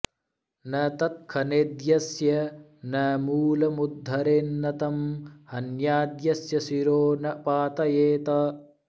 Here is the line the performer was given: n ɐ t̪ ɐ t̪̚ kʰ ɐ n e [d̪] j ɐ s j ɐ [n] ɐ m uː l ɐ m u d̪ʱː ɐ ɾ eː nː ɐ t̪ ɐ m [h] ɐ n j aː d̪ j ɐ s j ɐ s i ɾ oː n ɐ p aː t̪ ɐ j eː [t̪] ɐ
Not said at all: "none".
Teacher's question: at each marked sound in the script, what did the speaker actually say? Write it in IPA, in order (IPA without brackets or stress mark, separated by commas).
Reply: d̪, n, h, t̪